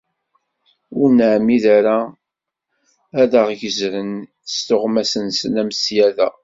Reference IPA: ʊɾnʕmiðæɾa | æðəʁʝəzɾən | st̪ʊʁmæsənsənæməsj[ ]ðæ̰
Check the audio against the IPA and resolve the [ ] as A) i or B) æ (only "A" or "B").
B